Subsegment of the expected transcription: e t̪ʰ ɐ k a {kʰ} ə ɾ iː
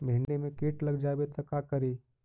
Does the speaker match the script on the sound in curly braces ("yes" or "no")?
no